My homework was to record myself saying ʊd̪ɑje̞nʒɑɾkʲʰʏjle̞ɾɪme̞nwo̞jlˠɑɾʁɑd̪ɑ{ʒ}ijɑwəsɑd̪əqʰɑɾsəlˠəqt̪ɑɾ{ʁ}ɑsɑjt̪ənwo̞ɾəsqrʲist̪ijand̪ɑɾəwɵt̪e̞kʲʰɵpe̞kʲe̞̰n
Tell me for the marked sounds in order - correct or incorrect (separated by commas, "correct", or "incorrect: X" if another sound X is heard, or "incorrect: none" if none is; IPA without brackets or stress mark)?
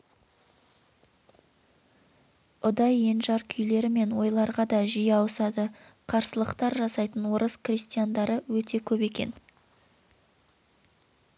correct, incorrect: ʒ